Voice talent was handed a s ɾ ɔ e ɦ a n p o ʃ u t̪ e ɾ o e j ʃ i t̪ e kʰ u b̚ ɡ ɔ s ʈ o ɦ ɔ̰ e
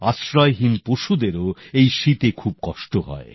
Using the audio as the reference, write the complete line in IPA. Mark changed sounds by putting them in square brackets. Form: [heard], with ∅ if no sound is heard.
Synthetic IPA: a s ɾ ɔ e ɦ [i] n p o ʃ u [d̪] e ɾ o e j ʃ i t̪ e kʰ u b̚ [k] ɔ [ʃ] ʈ o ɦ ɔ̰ e